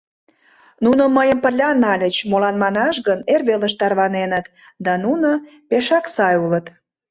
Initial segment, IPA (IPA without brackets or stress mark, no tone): n